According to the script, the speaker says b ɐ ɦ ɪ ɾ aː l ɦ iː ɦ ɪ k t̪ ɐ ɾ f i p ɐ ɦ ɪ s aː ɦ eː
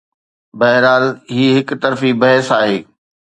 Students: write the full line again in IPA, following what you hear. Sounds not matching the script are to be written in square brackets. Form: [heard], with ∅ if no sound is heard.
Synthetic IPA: b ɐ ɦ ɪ ɾ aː l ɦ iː ɦ ɪ k t̪ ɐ ɾ f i [b] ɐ ɦ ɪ s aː ɦ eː